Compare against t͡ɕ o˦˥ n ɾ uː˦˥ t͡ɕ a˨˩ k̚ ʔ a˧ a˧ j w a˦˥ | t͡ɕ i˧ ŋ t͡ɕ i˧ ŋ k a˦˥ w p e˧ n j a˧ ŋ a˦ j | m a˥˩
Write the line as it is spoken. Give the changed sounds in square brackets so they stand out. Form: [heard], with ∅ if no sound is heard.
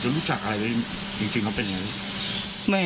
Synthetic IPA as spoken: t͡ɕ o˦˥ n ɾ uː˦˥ t͡ɕ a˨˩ k̚ ʔ a˧ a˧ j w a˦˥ | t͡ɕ i˧ ŋ t͡ɕ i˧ ŋ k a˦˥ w p e˧ n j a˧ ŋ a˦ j | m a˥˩